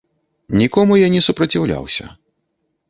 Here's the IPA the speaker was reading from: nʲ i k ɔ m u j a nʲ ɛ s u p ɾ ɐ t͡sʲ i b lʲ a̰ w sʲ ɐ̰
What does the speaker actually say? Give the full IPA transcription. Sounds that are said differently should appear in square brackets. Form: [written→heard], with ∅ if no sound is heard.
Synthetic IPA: nʲ i k ɔ m u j a nʲ ɛ s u p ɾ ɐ t͡sʲ i [b→w] lʲ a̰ w sʲ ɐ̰